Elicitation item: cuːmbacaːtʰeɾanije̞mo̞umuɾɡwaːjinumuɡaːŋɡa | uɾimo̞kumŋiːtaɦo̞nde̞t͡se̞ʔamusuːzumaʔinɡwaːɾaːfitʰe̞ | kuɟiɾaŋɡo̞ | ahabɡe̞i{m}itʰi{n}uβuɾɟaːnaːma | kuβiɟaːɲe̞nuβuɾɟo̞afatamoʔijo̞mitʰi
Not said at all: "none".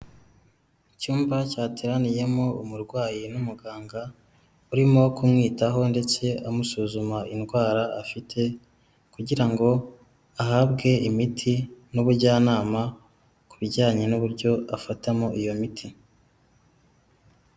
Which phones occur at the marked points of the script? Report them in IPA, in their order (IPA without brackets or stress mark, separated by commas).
m, n